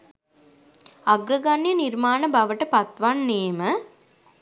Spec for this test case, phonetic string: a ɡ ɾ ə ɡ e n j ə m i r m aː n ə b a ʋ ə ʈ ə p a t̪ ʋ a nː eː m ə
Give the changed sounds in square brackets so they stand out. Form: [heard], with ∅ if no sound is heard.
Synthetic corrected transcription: a ɡ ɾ ə ɡ [a] n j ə [n] i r m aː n ə b a ʋ ə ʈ ə p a t̪ ʋ a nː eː m ə